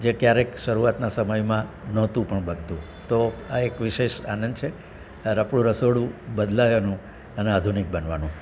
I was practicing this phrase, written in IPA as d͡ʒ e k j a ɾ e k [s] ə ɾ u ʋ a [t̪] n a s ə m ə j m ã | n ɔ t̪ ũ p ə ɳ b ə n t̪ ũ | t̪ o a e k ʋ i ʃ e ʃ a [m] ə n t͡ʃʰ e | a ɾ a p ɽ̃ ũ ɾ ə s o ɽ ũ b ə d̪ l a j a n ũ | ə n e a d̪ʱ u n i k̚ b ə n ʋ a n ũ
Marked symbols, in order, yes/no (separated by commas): no, yes, no